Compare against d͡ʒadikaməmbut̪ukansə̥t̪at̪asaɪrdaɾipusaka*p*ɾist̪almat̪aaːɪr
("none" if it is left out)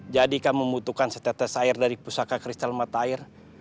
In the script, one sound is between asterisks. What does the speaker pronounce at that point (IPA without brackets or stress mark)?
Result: k